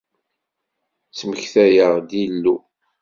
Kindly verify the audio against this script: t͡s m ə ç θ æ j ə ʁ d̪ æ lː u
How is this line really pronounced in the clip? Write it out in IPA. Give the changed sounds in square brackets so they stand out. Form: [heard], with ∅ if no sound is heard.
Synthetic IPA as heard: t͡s m ə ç θ æ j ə ʁ d̪ [i] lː u

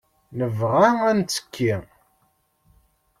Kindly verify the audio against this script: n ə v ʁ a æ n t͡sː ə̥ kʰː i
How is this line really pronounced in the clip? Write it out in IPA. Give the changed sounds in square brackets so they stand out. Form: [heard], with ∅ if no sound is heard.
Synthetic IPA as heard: n ə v ʁ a æ n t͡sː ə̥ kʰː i

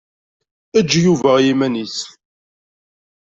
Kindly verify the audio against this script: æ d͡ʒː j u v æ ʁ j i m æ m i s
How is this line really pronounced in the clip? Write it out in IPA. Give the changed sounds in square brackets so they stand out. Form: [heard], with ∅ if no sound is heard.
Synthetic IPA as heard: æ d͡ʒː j u v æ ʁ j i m æ [n] i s

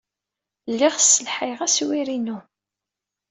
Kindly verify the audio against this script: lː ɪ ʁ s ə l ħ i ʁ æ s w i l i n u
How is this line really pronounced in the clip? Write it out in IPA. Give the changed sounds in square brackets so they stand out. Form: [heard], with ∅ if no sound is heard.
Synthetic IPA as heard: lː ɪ ʁ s ə l ħ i ʁ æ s w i [ɾ] i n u

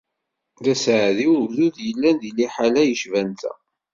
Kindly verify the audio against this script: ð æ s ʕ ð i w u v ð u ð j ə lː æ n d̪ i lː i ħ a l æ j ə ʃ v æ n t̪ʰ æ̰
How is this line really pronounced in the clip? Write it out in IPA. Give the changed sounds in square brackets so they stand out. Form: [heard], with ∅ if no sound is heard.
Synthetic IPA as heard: ð æ s ʕ ð i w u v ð u ð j ə lː æ n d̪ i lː i ħ a l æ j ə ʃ v æ n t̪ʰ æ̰

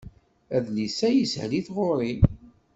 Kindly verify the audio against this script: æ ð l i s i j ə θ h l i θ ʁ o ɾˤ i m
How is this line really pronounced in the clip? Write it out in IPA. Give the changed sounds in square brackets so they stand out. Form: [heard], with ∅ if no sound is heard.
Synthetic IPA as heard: æ ð l i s [æ] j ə [s] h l i θ ʁ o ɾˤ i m

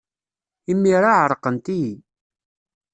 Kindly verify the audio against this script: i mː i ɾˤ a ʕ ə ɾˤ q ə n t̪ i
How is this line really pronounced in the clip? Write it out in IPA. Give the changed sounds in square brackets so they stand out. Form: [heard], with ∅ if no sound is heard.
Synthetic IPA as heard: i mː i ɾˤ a ʕ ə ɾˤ q ə n t̪ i

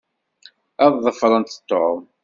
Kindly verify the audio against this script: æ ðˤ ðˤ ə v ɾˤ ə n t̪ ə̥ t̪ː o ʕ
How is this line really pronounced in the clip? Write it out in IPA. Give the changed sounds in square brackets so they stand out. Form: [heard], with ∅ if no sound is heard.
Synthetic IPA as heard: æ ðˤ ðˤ ə [f] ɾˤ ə n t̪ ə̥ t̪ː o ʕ

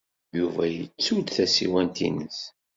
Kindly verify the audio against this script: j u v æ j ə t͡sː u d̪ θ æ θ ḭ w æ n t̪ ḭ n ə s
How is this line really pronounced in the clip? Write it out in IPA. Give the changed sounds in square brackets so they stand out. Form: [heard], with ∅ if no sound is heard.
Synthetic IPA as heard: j u v æ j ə t͡sː u d̪ θ æ [s] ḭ w æ n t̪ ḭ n ə s

